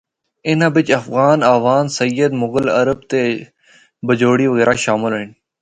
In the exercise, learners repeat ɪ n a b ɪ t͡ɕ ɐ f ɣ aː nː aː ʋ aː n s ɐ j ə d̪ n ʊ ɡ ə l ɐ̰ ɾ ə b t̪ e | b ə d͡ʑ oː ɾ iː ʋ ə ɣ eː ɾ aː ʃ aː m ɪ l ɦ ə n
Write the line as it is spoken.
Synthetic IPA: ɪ n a b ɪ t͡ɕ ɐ f ɣ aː n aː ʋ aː n s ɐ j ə d̪ m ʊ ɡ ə l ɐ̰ ɾ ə b t̪ e | b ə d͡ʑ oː ɽ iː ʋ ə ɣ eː ɾ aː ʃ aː m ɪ l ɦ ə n